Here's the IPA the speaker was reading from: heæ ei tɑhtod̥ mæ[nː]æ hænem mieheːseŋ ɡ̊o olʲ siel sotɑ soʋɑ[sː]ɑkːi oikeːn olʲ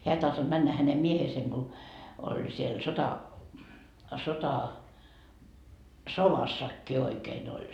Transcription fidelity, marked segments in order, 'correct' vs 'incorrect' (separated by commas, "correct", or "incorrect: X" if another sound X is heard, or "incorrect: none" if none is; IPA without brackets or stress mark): correct, correct